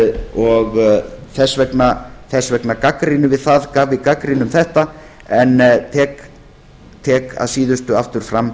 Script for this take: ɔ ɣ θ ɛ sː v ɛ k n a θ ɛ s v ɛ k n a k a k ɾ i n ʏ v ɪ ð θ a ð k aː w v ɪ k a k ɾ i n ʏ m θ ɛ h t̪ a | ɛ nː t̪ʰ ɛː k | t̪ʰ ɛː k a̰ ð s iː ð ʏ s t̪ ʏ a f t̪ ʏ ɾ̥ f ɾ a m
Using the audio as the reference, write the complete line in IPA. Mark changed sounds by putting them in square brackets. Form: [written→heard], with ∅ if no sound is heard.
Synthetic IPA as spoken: ɔ ɣ θ ɛ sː v ɛ k n a θ ɛ s v ɛ k n a k a k ɾ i n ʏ v ɪ ð θ a ð k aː [w→v] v ɪ k a k ɾ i n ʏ m θ ɛ h t̪ a | ɛ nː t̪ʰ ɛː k | t̪ʰ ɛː k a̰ ð s iː ð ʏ s t̪ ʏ a f t̪ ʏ ɾ̥ f ɾ a m